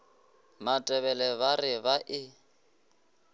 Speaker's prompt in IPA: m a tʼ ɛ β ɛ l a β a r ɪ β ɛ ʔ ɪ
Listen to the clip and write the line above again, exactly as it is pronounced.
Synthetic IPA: m a tʼ ɛ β ɛ l ɛ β a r ɪ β a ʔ ɪ